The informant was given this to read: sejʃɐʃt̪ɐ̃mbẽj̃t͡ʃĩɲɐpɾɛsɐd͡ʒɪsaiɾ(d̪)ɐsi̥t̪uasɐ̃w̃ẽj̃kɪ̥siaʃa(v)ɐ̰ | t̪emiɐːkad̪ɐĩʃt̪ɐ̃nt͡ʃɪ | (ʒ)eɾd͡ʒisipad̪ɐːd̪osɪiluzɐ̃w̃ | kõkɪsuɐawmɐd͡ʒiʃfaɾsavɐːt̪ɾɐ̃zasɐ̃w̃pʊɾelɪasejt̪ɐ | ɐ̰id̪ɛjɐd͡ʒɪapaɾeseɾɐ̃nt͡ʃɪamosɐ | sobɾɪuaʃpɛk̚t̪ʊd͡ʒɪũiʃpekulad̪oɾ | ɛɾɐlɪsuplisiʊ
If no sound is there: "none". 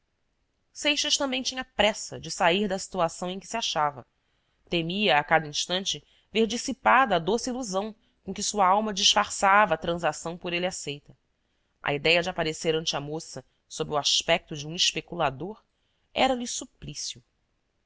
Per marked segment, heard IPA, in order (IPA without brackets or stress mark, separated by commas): d̪, v, v